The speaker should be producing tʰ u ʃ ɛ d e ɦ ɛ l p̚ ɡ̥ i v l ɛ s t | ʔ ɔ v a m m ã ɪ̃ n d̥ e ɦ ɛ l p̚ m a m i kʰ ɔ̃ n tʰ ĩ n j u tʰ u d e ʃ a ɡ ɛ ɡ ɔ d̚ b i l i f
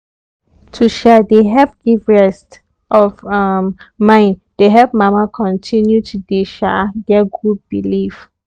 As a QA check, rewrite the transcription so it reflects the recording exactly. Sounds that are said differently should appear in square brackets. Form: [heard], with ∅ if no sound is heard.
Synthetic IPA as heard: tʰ u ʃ ɛ d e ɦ ɛ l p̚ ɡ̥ i v [ɹ] ɛ s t | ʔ ɔ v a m m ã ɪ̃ n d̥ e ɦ ɛ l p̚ m a m [a] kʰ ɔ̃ n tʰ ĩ n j u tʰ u d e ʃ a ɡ ɛ ɡ [u] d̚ b i l i f